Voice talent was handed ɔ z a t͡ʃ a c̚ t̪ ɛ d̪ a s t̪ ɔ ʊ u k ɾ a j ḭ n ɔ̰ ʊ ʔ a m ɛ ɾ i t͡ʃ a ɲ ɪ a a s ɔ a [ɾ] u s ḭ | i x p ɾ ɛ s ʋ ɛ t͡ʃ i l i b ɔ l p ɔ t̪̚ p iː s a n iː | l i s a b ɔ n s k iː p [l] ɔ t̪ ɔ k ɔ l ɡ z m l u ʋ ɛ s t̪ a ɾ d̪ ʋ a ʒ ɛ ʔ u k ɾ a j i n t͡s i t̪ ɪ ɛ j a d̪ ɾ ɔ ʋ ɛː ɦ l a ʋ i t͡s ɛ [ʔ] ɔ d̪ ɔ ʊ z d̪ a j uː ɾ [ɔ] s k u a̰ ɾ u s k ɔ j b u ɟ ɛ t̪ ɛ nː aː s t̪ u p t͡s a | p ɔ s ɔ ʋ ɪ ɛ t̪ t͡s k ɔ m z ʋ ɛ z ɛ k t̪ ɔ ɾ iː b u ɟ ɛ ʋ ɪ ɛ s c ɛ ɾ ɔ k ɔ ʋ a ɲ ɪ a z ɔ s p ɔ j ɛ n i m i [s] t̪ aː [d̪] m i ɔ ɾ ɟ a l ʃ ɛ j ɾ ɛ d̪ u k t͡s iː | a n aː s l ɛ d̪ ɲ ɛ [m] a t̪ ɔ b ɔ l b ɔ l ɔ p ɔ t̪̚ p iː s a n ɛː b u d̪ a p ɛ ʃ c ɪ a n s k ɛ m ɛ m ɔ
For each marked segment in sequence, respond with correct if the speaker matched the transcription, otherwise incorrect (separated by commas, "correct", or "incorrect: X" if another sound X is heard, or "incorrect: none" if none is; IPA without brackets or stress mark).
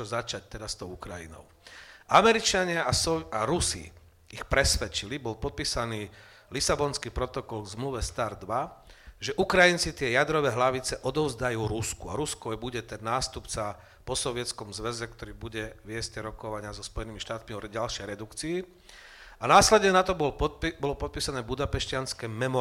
correct, incorrect: ɾ, correct, incorrect: u, incorrect: ʃ, incorrect: t̪, incorrect: n